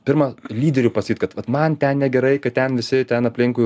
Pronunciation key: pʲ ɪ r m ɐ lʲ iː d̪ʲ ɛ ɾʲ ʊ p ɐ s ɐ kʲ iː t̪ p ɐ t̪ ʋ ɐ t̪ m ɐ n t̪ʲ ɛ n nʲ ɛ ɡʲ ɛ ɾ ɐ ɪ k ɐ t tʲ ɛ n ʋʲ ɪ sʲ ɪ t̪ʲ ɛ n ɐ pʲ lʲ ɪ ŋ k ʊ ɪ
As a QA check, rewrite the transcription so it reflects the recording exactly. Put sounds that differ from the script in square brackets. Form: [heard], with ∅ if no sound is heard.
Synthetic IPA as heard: pʲ ɪ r m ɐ lʲ iː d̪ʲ ɛ ɾʲ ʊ p ɐ s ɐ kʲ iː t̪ [k] ɐ t̪ ʋ ɐ t̪ m ɐ n t̪ʲ ɛ n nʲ ɛ ɡʲ ɛ ɾ ɐ ɪ k ɐ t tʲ ɛ n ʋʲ ɪ sʲ ɪ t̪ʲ ɛ n ɐ pʲ lʲ ɪ ŋ k ʊ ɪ